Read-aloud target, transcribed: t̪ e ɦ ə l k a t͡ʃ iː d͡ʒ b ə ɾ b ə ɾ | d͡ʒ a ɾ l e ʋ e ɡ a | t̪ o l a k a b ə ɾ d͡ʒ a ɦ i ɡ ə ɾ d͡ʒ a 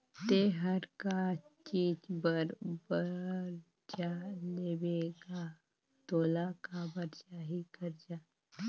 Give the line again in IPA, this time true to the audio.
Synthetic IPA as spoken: t̪ e ɦ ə ɾ k a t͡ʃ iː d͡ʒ b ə ɾ b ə ɾ | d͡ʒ a l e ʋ e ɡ a | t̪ o l a k a b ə ɾ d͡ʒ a ɦ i k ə ɾ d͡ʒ a